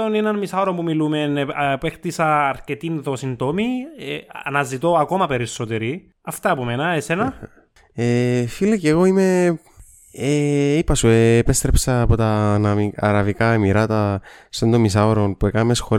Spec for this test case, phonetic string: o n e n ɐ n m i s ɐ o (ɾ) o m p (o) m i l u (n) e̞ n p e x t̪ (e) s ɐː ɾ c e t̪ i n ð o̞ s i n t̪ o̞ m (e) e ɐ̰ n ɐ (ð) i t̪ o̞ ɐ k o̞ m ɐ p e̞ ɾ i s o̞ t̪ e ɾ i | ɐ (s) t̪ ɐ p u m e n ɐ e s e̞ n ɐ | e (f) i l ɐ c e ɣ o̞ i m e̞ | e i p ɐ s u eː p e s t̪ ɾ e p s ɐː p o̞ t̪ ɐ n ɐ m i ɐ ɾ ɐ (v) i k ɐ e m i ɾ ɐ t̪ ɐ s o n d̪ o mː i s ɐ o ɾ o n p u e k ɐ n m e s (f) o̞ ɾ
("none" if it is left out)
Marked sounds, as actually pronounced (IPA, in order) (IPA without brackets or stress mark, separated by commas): ɾ, u, m, i, i, z, f, f, v, x